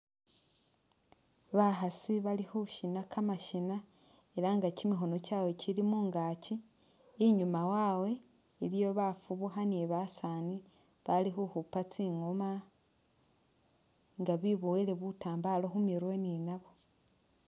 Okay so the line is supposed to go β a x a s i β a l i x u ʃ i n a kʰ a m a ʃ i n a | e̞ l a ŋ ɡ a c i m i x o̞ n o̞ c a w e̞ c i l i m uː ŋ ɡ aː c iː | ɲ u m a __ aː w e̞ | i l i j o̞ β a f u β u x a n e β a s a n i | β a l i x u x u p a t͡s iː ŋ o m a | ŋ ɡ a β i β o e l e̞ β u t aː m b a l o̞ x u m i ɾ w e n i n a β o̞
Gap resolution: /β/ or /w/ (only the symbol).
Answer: w